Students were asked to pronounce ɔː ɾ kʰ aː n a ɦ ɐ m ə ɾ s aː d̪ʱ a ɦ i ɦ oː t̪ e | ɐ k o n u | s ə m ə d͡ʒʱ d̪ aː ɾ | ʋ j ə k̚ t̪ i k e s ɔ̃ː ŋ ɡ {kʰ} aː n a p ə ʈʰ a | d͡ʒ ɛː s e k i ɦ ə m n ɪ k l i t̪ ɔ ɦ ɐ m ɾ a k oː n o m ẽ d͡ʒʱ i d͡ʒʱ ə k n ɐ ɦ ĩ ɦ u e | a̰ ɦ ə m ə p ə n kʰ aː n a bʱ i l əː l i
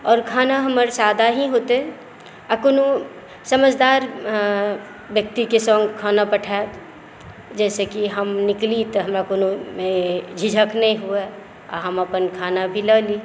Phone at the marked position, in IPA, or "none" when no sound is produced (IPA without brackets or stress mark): kʰ